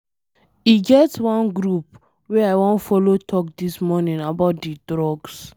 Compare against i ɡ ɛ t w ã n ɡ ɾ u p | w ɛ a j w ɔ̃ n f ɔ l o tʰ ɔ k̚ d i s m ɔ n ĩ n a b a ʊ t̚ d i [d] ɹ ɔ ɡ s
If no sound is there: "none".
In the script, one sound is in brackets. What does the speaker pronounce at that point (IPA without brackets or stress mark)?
d